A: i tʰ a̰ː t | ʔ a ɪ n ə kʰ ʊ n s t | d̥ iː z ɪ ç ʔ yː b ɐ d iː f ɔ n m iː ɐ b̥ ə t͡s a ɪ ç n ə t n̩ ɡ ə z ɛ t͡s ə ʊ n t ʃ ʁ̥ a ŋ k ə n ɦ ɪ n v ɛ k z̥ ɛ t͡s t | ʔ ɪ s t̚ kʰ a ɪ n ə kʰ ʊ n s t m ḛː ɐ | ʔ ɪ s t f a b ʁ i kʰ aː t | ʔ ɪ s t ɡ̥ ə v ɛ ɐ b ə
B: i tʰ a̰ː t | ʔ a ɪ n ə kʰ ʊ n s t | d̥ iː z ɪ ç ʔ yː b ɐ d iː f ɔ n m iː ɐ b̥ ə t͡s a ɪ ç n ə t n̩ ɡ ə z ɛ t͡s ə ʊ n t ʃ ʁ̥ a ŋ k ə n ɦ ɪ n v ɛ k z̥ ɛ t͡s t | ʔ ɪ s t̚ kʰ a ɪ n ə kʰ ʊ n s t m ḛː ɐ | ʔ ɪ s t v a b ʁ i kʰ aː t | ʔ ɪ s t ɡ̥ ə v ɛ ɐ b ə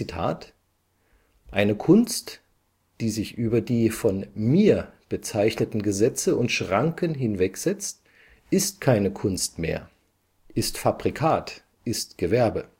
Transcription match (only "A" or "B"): A